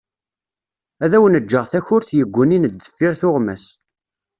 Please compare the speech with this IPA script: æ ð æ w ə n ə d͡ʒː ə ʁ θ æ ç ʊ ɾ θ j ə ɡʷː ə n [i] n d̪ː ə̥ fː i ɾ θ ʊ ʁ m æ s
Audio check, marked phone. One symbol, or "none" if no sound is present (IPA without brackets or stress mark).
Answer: i